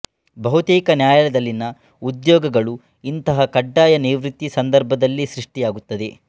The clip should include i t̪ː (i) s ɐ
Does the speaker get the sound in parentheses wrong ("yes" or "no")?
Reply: no